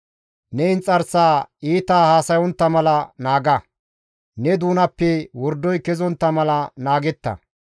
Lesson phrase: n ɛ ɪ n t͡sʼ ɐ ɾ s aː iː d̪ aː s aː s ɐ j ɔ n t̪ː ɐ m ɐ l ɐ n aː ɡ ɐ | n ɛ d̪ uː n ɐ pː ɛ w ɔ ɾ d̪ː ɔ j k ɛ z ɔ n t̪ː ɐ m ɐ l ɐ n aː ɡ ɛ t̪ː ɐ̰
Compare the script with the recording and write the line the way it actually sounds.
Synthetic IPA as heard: n ɛ ɪ n t͡sʼ ɐ ɾ s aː iː t̪ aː h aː s ɐ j ɔ n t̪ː ɐ m ɐ l ɐ n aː ɡ ɐ | n ɛ d̪ uː n ɐ pː ɛ w ɔ ɾ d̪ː ɔ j k ɛ z ɔ n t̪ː ɐ m ɐ l ɐ n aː ɡ ɛ t̪ː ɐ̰